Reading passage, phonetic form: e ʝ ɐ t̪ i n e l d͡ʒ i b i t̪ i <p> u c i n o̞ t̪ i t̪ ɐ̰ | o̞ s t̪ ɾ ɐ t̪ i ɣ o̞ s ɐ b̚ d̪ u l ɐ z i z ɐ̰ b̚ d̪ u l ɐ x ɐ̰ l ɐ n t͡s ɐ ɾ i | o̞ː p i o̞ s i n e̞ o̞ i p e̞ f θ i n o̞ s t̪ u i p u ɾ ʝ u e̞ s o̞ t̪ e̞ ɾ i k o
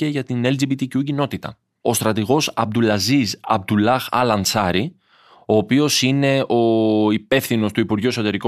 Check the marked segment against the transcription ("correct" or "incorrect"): incorrect